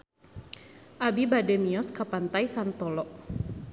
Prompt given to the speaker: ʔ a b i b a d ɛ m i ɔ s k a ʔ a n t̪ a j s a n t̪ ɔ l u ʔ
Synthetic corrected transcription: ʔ a b i b a d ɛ m i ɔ s k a p a n t̪ a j s a n t̪ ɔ l ɔ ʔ